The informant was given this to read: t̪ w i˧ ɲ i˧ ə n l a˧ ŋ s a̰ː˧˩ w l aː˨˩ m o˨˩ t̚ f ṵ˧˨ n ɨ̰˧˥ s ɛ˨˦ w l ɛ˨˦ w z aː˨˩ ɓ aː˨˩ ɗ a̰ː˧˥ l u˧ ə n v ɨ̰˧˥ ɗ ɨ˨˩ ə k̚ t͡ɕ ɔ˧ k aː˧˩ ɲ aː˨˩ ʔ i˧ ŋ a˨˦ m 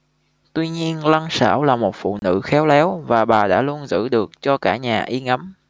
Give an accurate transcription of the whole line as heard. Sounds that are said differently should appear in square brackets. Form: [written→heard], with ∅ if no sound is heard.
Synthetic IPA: t̪ w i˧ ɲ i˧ ə n l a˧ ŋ s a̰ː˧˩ w l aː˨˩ m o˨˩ t̚ f ṵ˧˨ n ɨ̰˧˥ [s→x] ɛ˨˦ w l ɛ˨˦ w [z→v] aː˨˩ ɓ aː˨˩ ɗ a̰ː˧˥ l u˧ ə n [v→z] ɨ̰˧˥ ɗ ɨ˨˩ ə k̚ t͡ɕ ɔ˧ k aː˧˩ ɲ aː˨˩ ʔ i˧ ŋ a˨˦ m

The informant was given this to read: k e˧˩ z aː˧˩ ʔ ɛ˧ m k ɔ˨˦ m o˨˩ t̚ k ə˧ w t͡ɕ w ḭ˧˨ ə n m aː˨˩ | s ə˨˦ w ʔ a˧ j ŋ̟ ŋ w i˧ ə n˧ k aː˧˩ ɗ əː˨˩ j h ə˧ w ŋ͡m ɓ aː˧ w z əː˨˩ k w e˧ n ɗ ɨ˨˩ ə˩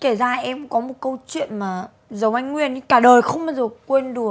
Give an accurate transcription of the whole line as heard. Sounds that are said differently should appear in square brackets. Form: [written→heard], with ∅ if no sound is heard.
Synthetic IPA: k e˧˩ z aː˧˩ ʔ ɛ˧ m k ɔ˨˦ m o˨˩ t̚ k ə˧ w t͡ɕ w ḭ˧˨ ə n m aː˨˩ | [s→z] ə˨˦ w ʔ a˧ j ŋ̟ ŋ w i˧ ə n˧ k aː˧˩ ɗ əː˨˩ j [h→x] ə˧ w ŋ͡m ɓ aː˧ w z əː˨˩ k w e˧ n ɗ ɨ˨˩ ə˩

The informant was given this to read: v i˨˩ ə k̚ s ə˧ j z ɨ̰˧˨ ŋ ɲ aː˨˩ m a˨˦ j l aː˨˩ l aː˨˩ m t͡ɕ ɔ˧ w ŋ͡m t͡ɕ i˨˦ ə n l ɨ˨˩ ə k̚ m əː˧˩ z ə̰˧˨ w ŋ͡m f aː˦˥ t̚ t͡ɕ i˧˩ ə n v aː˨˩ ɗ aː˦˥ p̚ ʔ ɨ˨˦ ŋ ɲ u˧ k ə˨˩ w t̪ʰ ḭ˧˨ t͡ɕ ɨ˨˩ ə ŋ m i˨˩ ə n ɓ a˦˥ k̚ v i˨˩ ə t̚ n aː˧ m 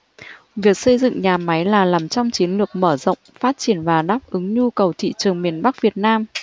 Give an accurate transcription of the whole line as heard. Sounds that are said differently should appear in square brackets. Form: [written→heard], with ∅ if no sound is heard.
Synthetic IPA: v i˨˩ ə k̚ s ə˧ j z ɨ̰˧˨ ŋ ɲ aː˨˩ m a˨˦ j l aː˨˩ l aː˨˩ m t͡ɕ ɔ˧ w ŋ͡m t͡ɕ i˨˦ ə n l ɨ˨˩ ə k̚ m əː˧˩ z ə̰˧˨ w ŋ͡m f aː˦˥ t̚ t͡ɕ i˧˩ ə n v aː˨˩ ɗ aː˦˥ p̚ ʔ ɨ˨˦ ŋ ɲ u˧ k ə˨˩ w t̪ʰ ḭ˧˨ t͡ɕ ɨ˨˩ ə ŋ m i˨˩ ə n ɓ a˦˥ k̚ v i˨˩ ə t̚ n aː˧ m

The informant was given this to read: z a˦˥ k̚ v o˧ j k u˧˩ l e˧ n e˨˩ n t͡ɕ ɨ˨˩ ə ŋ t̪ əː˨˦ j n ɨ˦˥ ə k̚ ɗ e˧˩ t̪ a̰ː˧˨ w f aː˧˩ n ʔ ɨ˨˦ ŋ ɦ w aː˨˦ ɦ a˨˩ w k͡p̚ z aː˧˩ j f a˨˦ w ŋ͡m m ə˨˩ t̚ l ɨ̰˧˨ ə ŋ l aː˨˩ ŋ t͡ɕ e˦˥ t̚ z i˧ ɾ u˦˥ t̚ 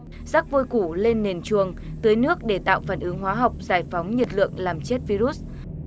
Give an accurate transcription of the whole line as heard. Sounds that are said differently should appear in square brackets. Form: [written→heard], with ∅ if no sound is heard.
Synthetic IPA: z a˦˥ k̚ v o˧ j k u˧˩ l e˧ [n→nː] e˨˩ n t͡ɕ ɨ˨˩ ə ŋ t̪ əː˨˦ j n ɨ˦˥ ə k̚ ɗ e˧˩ t̪ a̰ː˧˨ w f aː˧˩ n ʔ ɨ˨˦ ŋ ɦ w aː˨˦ ɦ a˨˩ w k͡p̚ z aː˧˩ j f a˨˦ w ŋ͡m [m→ɲ] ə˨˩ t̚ l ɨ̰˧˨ ə ŋ l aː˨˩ [ŋ→m] t͡ɕ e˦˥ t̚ [z→v] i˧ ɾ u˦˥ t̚

